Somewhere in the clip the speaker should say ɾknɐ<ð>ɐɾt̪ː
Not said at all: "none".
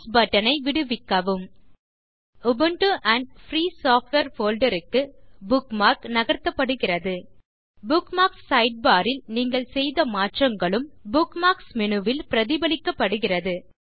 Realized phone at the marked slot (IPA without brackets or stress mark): ɣ